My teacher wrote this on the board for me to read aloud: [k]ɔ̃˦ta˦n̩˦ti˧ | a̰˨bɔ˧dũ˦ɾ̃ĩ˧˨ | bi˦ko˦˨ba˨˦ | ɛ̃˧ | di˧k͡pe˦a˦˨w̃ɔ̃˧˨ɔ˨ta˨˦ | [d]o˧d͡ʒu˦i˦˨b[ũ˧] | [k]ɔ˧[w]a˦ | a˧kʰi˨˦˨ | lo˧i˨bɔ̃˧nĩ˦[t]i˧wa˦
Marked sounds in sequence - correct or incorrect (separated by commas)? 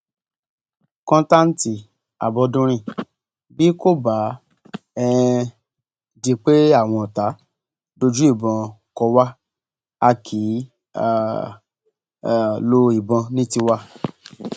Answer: correct, correct, incorrect, correct, correct, correct